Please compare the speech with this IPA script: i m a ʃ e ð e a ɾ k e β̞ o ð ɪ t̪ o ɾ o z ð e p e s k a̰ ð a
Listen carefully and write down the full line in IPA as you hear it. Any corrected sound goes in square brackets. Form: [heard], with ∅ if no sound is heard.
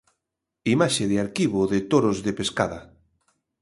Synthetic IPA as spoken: i m a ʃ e ð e a ɾ k [i] β̞ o ð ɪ t̪ o ɾ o z ð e p e s k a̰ ð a